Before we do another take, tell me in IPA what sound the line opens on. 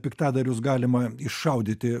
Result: pʲ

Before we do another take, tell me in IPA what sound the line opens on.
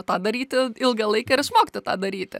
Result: t̪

